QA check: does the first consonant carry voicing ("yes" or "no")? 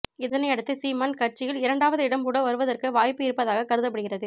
yes